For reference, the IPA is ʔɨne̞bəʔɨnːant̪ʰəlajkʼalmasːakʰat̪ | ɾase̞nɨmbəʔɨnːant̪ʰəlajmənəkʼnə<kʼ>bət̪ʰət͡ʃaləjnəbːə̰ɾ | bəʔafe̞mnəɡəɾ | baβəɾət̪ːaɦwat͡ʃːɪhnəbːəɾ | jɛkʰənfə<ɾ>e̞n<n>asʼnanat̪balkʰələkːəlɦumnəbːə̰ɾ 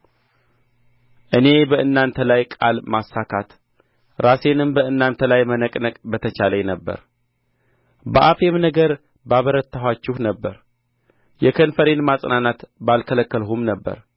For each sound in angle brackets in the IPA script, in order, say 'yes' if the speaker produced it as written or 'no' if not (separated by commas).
yes, yes, no